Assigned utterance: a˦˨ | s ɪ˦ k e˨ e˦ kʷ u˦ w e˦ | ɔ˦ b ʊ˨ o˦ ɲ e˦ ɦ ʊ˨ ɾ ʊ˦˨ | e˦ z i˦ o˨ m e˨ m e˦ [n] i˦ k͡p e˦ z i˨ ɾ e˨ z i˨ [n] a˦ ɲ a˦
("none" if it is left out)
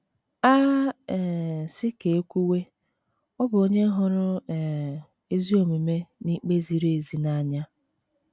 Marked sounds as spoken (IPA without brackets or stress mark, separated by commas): n, n